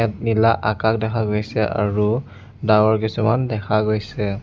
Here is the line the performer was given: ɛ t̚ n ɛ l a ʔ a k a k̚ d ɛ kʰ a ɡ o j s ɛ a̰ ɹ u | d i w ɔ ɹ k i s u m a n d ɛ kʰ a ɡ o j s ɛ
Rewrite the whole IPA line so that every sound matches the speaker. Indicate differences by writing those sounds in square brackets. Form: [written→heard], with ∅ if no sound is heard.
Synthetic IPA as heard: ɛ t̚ n [ɛ→i] l a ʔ a k a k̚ d ɛ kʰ a ɡ o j s ɛ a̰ ɹ u | d [i→a] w ɔ ɹ k i s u m a n d ɛ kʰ a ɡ o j s ɛ